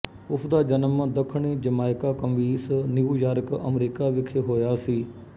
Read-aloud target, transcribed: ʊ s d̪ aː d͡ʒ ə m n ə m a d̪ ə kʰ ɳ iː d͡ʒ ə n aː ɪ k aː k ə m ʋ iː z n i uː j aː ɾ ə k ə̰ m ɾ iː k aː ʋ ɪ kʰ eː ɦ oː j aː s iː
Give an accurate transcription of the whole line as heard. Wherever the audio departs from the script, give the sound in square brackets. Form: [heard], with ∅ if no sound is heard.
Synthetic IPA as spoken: ʊ s d̪ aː d͡ʒ ə [∅] n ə m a d̪ ə kʰ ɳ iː d͡ʒ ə [m] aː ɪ k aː k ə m ʋ iː [s] n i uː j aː ɾ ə k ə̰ m ɾ iː k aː ʋ ɪ kʰ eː ɦ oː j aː s iː

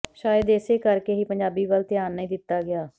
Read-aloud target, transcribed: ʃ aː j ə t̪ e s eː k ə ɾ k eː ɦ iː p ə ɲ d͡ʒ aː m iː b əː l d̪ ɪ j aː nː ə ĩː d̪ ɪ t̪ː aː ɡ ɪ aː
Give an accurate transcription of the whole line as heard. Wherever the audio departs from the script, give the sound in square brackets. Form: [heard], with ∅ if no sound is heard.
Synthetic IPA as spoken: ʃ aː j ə [d̪] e s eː k ə ɾ k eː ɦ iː p ə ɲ d͡ʒ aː [b] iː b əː l [t̪] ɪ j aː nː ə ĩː d̪ ɪ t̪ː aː ɡ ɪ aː

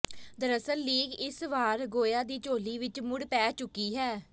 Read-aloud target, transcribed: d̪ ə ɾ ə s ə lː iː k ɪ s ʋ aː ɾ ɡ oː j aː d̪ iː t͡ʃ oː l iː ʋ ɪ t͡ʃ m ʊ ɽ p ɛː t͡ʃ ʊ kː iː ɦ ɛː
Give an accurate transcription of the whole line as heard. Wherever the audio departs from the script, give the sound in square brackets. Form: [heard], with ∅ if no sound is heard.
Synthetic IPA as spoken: d̪ ə ɾ ə s ə lː iː [ɡ] ɪ s ʋ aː ɾ ɡ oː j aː d̪ iː t͡ʃ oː l iː ʋ ɪ t͡ʃ m ʊ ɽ p ɛː t͡ʃ ʊ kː iː ɦ ɛː

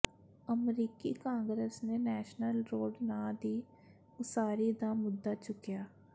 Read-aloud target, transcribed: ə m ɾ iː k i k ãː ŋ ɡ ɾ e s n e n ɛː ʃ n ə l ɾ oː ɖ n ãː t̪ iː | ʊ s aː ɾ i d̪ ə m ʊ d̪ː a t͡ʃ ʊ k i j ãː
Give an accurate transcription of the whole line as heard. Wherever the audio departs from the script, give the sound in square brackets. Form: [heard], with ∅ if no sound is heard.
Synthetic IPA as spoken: ə m ɾ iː k i k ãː ŋ ɡ ɾ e s n e n ɛː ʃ n ə l ɾ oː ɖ n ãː [d̪] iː | ʊ s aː ɾ i d̪ [a] m ʊ d̪ː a t͡ʃ ʊ k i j [aː]

